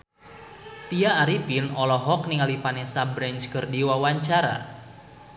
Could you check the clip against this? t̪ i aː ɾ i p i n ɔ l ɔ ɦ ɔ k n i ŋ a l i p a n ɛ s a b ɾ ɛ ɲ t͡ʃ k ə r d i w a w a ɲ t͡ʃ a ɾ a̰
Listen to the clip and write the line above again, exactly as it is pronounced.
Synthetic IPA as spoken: t̪ i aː ɾ i p i n ɔ l ɔ ɦ ɔ k n i ŋ a l i p a n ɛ s a b ɾ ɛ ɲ t͡ʃ k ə r d i w a w a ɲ t͡ʃ a ɾ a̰